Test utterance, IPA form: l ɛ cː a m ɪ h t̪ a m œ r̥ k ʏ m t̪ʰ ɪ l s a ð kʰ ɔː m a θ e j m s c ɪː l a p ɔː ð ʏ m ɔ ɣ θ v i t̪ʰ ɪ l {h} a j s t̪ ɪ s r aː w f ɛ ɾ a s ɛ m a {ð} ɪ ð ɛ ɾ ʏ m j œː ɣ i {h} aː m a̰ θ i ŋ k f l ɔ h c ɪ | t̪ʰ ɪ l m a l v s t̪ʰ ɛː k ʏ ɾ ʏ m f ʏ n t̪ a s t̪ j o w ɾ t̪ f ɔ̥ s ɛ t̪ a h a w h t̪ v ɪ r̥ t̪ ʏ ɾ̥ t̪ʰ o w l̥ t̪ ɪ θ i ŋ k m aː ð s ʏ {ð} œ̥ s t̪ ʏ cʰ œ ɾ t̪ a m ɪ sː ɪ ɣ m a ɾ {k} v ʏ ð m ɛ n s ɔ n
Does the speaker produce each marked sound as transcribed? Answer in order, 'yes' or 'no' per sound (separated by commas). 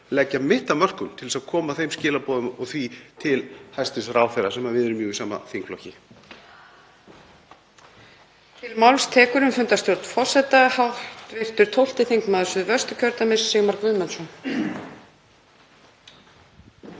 yes, no, no, no, yes